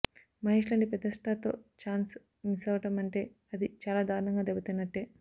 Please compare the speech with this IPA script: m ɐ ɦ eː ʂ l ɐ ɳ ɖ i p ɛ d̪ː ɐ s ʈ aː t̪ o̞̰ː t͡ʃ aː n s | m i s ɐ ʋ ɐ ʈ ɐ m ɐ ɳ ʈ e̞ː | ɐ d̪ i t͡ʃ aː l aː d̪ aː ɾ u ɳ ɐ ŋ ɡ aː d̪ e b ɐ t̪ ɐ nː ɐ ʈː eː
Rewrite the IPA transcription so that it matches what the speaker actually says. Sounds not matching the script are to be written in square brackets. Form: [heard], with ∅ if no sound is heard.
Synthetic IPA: m ɐ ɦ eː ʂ l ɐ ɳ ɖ i p ɛ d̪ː ɐ s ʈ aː t̪ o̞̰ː t͡ʃ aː n s | m i s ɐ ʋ ɐ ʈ ɐ m ɐ ɳ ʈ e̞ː | ɐ d̪ i t͡ʃ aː l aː d̪ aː ɾ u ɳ ɐ ŋ ɡ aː d̪ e b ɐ t̪ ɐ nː ɐ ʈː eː

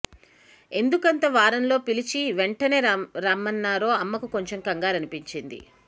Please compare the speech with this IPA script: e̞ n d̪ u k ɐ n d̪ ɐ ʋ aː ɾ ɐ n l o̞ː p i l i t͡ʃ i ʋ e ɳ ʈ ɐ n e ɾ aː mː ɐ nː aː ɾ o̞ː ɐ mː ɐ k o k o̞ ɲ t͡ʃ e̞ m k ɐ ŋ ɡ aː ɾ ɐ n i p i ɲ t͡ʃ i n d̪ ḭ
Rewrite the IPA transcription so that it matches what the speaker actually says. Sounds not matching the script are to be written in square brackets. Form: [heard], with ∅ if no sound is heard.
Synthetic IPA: e̞ n d̪ u k ɐ n [t̪] ɐ ʋ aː ɾ ɐ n l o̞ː p i l i t͡ʃ i ʋ e ɳ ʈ ɐ n e ɾ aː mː ɐ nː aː ɾ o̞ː ɐ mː ɐ k [u] k o̞ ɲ t͡ʃ e̞ m k ɐ ŋ ɡ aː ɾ ɐ n i p i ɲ t͡ʃ i n d̪ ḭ

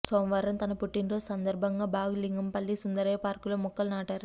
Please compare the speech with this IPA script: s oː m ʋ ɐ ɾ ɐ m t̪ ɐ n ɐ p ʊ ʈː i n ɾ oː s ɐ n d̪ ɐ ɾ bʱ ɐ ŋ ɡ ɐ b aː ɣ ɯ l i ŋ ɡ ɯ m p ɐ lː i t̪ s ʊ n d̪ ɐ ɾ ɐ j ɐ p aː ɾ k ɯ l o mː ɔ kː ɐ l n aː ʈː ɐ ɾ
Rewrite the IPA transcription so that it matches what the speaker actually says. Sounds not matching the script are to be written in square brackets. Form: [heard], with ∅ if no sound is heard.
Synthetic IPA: s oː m ʋ ɐ ɾ ɐ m t̪ ɐ n ɐ p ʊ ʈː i n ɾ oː s ɐ n d̪ ɐ ɾ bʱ ɐ ŋ ɡ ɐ b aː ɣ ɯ l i ŋ ɡ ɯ m p ɐ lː i [∅] s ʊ n d̪ ɐ ɾ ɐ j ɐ p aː ɾ k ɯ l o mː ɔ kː ɐ l n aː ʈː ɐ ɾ

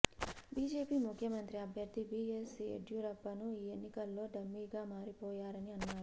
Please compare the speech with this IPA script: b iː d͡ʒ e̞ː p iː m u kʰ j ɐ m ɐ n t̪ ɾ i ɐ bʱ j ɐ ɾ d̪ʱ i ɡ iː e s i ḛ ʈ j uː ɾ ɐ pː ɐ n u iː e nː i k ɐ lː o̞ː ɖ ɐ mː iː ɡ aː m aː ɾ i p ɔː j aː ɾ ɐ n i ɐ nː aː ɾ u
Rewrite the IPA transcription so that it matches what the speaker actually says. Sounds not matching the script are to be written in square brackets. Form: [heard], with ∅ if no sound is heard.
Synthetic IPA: b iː d͡ʒ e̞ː p iː m u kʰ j ɐ m ɐ n t̪ ɾ i ɐ bʱ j ɐ ɾ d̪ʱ i [b] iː e s i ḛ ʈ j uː ɾ ɐ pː ɐ n u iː e nː i k ɐ lː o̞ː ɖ ɐ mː iː ɡ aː m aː ɾ i p ɔː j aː ɾ ɐ n i ɐ nː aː ɾ u

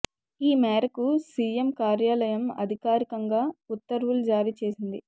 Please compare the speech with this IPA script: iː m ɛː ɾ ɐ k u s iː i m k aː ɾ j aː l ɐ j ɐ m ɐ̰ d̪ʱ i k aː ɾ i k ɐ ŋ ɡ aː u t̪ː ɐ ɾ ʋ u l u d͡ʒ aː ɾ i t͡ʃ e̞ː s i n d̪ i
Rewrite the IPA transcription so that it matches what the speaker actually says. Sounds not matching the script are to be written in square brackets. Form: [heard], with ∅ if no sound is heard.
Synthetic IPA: iː m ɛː ɾ ɐ k u s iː [e] m k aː ɾ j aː l ɐ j ɐ m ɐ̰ d̪ʱ i k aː ɾ i k ɐ ŋ ɡ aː u t̪ː ɐ ɾ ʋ u l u d͡ʒ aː ɾ i t͡ʃ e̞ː s i n d̪ i

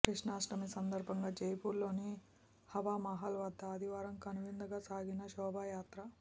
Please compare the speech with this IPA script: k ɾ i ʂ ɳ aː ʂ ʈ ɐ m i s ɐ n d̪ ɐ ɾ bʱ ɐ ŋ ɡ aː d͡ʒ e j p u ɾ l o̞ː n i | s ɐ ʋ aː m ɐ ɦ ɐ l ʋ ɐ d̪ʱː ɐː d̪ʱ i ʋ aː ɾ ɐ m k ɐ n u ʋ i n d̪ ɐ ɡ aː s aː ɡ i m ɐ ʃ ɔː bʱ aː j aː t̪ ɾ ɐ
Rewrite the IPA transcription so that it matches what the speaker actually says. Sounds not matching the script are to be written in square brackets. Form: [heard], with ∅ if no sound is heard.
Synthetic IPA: k ɾ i ʂ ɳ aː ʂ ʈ ɐ m i s ɐ n d̪ ɐ ɾ bʱ ɐ ŋ ɡ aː d͡ʒ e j p u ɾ l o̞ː n i | [h] ɐ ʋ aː m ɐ ɦ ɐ l ʋ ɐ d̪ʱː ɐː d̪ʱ i ʋ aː ɾ ɐ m k ɐ n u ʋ i n d̪ ɐ ɡ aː s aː ɡ i [n] ɐ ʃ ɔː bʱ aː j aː t̪ ɾ ɐ

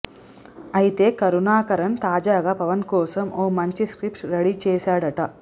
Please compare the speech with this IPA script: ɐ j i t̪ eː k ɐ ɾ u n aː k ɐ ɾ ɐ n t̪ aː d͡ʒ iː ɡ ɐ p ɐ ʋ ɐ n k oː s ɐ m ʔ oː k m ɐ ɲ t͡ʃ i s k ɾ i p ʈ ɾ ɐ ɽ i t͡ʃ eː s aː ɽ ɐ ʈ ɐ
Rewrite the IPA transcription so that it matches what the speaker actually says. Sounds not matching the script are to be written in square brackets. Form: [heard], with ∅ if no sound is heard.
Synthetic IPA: ɐ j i t̪ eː k ɐ ɾ u n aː k ɐ ɾ ɐ n t̪ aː d͡ʒ [aː] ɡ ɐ p ɐ ʋ ɐ n k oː s ɐ m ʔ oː [∅] m ɐ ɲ t͡ʃ i s k ɾ i p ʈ ɾ ɐ ɽ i t͡ʃ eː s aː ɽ ɐ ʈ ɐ

